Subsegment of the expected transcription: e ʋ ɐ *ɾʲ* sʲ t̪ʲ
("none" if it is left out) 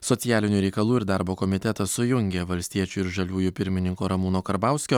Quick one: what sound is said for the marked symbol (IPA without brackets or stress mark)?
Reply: lʲ